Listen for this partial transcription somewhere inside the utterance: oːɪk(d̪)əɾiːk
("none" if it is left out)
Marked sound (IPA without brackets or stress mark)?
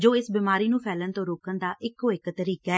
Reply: t̪